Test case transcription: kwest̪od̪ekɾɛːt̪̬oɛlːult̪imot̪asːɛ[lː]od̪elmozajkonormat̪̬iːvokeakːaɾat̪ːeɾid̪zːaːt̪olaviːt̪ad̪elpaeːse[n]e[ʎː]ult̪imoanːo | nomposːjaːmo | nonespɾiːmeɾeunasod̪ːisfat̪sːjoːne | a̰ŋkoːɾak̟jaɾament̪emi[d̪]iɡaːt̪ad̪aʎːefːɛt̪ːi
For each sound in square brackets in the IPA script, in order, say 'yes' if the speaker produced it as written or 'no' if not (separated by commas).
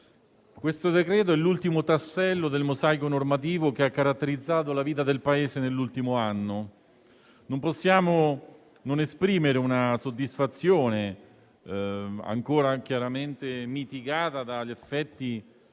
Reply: yes, yes, no, no